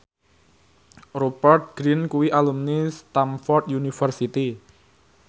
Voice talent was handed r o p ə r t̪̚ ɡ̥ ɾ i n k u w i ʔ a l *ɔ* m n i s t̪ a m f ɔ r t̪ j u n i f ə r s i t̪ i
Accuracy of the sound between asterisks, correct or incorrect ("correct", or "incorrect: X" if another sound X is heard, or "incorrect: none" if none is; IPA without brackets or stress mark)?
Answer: incorrect: u